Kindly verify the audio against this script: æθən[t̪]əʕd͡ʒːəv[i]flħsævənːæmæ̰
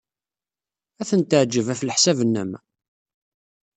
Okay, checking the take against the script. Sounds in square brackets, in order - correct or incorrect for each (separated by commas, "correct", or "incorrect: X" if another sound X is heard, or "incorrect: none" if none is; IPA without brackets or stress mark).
correct, incorrect: æ